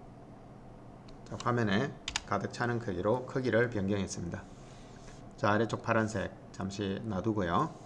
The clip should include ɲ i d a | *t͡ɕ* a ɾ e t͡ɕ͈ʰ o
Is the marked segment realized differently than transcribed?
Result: no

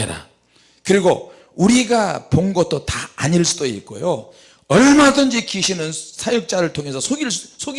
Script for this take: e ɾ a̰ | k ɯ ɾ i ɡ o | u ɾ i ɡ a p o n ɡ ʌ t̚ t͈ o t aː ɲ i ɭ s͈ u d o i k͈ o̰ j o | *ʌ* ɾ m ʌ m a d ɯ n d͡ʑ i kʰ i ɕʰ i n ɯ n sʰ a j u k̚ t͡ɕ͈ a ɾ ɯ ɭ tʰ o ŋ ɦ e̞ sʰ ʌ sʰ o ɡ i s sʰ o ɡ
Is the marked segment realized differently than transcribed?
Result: no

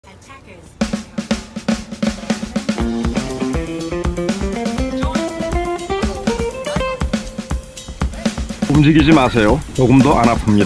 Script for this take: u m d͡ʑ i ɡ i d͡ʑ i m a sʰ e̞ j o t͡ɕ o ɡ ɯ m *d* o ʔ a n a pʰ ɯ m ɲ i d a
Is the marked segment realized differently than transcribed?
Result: no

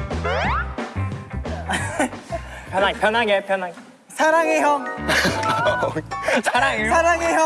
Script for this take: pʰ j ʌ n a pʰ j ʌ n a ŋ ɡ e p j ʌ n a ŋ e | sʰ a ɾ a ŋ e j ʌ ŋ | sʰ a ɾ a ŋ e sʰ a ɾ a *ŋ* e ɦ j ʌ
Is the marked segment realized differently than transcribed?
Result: no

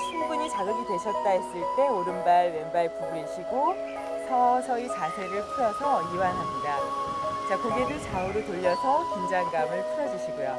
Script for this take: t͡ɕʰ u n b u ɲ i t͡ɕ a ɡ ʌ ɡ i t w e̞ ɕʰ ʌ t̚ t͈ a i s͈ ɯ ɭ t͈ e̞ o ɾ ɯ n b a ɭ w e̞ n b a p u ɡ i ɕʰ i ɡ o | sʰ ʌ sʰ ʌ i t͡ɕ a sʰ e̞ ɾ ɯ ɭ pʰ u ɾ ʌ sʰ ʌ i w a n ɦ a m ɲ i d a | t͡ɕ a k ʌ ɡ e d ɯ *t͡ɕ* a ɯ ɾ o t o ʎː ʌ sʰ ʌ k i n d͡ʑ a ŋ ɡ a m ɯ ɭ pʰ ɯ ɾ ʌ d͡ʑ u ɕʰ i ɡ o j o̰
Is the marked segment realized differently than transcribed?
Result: no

